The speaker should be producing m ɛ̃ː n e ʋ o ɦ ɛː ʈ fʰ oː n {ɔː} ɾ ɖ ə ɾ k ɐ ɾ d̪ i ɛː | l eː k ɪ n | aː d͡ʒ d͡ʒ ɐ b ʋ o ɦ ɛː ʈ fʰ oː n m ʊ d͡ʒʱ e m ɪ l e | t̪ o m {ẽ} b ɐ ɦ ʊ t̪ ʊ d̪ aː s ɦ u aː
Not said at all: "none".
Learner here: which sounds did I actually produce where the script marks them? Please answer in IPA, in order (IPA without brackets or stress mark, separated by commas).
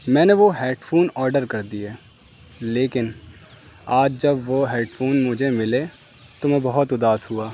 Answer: ɔː, ɛ̃